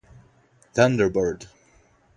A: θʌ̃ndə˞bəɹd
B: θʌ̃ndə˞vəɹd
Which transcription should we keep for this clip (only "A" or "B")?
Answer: A